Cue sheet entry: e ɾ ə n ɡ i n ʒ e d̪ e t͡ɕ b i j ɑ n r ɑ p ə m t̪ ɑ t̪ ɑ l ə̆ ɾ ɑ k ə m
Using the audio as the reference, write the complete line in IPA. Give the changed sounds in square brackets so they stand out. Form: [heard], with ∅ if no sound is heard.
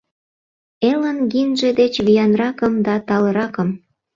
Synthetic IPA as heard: e [l] ə n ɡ i n ʒ e d̪ e t͡ɕ [β] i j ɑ n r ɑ [k] ə m [d̪] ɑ t̪ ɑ l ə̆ ɾ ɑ k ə m